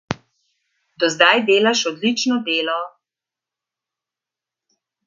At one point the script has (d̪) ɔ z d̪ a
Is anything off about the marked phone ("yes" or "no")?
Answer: no